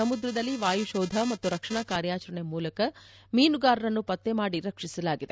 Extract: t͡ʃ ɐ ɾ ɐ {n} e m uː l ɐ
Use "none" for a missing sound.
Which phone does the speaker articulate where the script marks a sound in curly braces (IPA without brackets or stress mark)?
ɳ